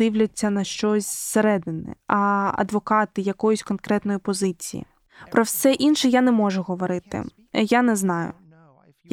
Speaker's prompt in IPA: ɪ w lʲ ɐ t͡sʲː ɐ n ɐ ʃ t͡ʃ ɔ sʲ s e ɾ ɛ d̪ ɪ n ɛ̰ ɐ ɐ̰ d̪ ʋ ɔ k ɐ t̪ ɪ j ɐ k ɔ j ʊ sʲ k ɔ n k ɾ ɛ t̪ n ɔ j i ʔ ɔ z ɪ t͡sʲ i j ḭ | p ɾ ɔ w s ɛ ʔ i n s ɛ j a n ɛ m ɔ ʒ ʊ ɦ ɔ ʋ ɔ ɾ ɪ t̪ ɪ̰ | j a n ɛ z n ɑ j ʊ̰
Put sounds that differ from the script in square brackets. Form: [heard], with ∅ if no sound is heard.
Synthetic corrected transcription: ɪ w lʲ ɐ t͡sʲː ɐ n ɐ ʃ t͡ʃ ɔ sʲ s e ɾ ɛ d̪ ɪ n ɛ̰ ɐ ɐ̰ d̪ ʋ ɔ k [ɑ] t̪ ɪ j ɐ k ɔ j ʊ sʲ k ɔ n k ɾ ɛ t̪ n ɔ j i [p] ɔ z ɪ t͡sʲ i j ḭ | p ɾ ɔ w s ɛ ʔ i n [ʃ] ɛ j a n ɛ m ɔ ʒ ʊ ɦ ɔ ʋ ɔ ɾ ɪ t̪ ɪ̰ | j a n ɛ z n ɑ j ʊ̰